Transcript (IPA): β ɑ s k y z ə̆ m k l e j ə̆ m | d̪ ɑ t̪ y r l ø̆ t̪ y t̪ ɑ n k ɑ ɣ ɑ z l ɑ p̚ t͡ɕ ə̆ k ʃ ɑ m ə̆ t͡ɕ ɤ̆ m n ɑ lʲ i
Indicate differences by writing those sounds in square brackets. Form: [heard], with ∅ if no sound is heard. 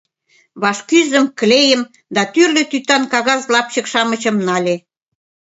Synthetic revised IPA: β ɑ [ʃ] k y z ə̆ m k l e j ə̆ m | d̪ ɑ t̪ y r l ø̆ t̪ y t̪ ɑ n k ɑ ɣ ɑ z l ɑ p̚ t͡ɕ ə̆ k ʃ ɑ m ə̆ t͡ɕ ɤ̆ m n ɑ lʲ [e]